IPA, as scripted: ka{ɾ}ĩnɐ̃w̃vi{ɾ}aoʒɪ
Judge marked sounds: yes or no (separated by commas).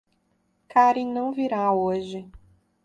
yes, yes